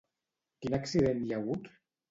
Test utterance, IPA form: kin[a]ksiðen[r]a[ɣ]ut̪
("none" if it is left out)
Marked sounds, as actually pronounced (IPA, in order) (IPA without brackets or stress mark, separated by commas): a, ʎ, ɣ